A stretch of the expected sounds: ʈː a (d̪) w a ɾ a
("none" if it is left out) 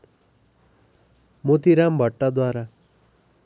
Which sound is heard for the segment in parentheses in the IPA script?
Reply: d̪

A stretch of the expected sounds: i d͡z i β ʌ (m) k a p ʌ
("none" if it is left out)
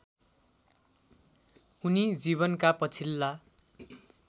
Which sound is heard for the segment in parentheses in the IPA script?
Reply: n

